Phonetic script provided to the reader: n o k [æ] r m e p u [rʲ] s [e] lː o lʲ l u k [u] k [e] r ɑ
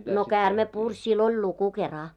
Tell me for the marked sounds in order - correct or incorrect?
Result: incorrect, correct, incorrect, correct, correct

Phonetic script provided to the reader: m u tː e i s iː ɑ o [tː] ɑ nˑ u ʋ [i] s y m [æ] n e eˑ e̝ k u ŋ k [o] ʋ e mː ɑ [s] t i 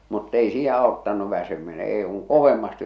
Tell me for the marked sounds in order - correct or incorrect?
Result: correct, incorrect, incorrect, correct, correct

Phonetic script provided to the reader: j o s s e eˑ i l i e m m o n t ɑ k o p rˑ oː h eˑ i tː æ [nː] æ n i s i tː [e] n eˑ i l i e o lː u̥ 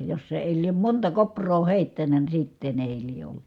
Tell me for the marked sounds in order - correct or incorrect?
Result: incorrect, correct

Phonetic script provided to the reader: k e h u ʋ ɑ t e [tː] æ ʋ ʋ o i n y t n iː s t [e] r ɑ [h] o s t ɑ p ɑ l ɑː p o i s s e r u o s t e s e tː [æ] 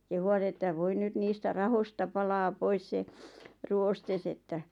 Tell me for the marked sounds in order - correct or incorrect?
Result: correct, incorrect, correct, correct

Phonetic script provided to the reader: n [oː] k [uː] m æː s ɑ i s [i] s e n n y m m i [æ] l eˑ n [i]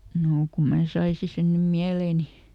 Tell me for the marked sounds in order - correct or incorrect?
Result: correct, incorrect, correct, correct, correct

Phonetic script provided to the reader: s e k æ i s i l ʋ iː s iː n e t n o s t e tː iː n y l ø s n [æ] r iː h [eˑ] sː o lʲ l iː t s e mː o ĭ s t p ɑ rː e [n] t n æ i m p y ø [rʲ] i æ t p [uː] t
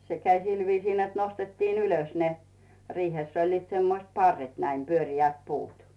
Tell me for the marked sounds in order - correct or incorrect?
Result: incorrect, correct, incorrect, correct, correct

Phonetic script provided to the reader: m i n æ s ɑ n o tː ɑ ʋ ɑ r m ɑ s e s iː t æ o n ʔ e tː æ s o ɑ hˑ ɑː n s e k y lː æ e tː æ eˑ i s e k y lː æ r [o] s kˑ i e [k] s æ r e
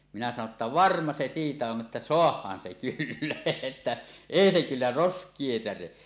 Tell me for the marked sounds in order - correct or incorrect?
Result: correct, incorrect

